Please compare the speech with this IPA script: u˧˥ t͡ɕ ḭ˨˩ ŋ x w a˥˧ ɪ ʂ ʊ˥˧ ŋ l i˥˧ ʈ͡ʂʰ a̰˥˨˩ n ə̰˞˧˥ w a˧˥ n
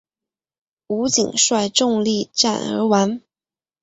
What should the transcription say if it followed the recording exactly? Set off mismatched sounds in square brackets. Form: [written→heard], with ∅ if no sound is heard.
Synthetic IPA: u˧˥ t͡ɕ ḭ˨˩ ŋ [x→ʂ] w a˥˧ ɪ [ʂ→ʈ͡ʂ] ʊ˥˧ ŋ l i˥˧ [ʈ͡ʂʰ→ʈ͡ʂ] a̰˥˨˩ n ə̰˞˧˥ w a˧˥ n